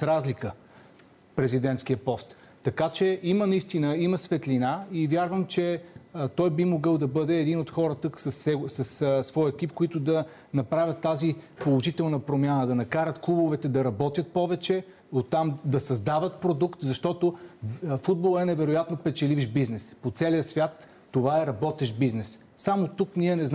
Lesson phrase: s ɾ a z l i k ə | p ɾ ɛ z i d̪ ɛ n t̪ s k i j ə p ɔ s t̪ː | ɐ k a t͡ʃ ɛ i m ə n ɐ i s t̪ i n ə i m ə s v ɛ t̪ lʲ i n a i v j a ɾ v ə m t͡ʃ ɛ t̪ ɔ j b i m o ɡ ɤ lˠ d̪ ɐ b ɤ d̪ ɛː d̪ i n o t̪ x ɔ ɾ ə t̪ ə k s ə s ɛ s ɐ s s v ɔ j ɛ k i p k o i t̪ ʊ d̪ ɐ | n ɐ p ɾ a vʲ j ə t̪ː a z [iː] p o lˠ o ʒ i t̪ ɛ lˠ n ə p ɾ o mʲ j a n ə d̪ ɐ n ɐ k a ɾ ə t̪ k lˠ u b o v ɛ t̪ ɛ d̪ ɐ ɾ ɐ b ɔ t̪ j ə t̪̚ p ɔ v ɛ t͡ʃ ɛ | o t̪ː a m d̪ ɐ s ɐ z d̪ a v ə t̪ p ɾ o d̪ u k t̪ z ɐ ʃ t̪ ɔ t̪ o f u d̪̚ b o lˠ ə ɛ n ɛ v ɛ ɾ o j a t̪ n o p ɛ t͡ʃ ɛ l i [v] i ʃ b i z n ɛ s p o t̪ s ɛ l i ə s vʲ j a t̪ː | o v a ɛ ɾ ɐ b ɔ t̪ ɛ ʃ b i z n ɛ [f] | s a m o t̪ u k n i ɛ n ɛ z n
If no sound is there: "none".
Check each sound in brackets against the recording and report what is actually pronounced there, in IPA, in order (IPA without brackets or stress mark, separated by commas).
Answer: i, v, s